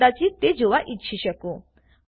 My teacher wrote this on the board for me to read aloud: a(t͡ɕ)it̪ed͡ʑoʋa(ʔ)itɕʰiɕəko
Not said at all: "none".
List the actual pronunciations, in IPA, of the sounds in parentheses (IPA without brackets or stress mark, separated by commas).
t͡ɕ, ʔ